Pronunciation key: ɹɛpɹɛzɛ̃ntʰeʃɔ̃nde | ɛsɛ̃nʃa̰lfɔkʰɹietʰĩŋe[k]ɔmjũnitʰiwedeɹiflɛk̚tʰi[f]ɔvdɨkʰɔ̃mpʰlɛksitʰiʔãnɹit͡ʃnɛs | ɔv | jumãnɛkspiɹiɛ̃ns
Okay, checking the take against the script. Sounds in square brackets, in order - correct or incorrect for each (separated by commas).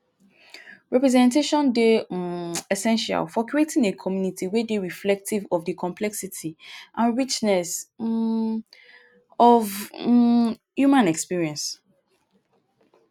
incorrect, incorrect